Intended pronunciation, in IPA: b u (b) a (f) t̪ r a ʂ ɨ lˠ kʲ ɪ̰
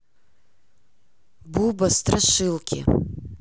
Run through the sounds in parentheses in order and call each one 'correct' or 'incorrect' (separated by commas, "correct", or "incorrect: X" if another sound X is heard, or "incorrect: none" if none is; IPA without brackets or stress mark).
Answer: correct, incorrect: s